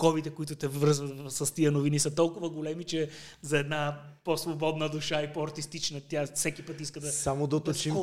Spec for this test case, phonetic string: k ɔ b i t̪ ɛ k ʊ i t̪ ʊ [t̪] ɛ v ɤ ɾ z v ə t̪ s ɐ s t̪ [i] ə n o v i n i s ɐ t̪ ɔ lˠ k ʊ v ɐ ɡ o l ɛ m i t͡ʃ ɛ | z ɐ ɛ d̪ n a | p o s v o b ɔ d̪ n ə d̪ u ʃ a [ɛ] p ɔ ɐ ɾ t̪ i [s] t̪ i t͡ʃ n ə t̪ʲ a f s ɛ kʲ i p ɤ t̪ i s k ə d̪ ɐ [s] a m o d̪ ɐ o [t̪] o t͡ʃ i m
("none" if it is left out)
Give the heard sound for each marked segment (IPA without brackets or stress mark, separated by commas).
t̪, i, i, s, s, t̪